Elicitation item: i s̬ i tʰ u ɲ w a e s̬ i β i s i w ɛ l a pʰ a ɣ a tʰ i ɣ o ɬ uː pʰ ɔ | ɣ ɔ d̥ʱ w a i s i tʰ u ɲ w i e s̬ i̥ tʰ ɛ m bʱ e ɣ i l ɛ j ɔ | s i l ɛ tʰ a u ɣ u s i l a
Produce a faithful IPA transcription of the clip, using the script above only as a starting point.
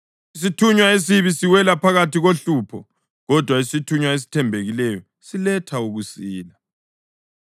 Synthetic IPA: i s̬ i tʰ u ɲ w a e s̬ i β i s i w ɛ l a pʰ a ɣ a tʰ i ɣ o ɬ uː pʰ ɔ | ɣ ɔ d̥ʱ w a i s i tʰ u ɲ w a e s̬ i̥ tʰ ɛ m bʱ e ɣ i l ɛ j ɔ | s i l ɛ tʰ a u ɣ u s iː l a